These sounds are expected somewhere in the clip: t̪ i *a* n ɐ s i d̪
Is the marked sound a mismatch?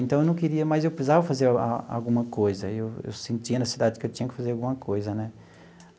yes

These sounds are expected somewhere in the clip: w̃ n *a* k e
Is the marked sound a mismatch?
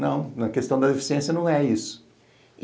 yes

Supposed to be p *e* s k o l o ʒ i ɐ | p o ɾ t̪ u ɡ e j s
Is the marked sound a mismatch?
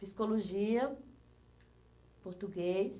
yes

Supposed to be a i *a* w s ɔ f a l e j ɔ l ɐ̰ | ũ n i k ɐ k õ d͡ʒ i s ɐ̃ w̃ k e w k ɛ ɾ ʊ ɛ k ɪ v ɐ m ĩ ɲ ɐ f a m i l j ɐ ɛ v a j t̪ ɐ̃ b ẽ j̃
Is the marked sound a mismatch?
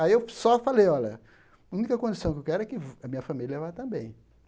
yes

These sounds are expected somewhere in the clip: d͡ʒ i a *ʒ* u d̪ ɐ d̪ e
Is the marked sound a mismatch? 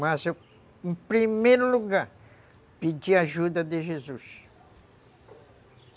no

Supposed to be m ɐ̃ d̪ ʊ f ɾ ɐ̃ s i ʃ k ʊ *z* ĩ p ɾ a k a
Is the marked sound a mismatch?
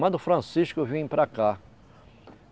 yes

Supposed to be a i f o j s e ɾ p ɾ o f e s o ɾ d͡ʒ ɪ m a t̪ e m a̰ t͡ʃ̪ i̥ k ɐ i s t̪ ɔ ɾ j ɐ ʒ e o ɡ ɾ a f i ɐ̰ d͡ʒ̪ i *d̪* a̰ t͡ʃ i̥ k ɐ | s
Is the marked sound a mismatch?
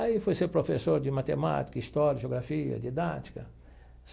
no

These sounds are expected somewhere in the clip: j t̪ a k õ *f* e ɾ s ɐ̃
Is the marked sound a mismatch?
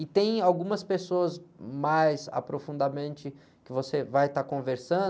yes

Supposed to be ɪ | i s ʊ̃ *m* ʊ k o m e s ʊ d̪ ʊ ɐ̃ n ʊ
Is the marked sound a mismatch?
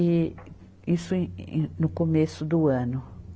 yes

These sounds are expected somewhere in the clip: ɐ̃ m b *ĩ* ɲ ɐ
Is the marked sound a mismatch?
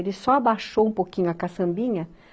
no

